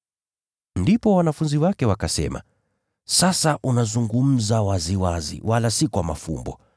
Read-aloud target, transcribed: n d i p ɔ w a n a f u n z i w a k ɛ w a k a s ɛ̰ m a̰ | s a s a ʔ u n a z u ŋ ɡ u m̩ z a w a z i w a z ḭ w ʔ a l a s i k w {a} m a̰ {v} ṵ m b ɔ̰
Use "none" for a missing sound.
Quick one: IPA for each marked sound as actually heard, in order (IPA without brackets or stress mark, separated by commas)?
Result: a, f